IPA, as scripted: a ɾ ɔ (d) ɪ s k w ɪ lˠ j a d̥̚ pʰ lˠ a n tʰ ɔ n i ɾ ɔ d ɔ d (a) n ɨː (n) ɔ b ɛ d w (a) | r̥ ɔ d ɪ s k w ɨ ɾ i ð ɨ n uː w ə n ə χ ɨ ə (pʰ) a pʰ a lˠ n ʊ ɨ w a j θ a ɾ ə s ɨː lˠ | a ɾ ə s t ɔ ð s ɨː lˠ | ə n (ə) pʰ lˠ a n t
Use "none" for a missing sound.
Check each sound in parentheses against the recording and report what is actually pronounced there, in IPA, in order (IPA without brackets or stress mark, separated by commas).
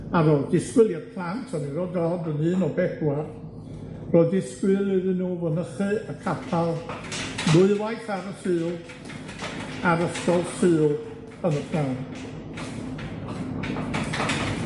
d, ə, n, a, kʰ, ə